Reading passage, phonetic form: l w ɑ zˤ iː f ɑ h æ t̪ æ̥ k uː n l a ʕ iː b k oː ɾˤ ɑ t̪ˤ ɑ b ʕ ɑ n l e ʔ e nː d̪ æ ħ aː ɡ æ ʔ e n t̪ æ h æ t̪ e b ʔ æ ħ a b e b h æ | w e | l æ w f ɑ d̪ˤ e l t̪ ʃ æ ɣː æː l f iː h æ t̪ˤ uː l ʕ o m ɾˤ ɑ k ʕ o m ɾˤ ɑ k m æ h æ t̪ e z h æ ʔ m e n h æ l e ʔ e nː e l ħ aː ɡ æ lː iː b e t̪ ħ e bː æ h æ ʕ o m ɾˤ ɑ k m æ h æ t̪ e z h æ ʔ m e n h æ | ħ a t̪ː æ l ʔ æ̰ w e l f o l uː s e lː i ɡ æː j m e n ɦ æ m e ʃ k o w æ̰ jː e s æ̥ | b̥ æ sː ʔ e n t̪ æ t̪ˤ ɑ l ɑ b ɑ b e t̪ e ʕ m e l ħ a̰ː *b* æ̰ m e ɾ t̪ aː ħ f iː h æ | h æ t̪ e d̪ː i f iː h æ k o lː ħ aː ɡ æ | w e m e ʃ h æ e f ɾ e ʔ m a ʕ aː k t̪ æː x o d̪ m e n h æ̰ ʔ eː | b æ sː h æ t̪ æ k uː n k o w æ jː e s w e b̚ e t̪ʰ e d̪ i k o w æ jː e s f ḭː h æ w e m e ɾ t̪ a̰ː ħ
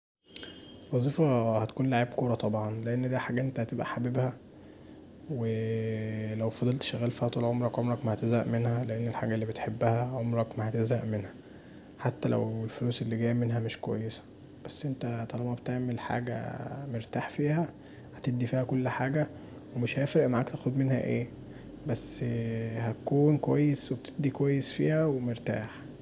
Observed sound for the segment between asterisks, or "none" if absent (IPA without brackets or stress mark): ɡ